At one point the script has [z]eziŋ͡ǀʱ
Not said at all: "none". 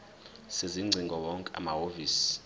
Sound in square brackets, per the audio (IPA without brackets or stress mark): s